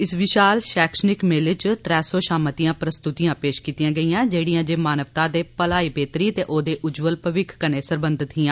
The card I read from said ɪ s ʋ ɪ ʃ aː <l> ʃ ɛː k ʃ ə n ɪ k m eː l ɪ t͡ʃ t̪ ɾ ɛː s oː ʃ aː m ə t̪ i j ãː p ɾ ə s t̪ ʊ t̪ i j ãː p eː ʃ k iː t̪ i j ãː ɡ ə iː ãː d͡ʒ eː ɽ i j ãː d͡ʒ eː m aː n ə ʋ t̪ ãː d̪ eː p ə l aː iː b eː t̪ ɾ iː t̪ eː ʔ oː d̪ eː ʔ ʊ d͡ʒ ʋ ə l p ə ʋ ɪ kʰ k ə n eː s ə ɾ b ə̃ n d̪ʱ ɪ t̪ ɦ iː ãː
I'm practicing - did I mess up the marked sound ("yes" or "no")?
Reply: no